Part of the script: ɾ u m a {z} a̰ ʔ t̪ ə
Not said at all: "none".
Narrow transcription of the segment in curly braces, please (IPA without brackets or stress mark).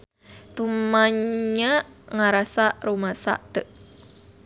s